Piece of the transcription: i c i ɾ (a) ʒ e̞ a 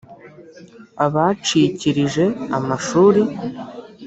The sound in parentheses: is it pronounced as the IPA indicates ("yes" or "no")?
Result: no